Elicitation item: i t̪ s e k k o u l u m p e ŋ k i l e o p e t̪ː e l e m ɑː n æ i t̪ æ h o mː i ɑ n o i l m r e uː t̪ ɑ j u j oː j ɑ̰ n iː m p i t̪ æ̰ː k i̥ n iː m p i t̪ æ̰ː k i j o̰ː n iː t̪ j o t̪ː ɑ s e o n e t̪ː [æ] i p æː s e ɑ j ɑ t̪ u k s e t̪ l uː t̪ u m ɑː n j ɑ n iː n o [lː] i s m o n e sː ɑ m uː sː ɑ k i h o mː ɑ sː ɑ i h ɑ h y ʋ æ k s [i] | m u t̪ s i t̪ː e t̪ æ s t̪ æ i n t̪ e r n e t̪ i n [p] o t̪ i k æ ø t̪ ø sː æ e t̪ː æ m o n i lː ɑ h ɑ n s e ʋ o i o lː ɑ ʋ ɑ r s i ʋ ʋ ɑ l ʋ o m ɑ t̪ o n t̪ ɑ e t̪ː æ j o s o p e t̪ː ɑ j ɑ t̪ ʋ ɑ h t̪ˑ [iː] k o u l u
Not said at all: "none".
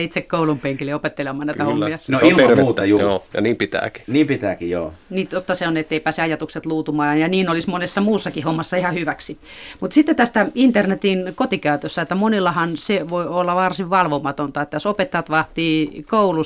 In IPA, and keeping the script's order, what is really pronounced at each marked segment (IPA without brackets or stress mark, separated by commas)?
e, l, i, k, iː